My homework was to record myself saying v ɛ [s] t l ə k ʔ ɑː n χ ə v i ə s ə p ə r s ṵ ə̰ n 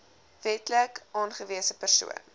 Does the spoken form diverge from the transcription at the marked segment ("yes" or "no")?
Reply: yes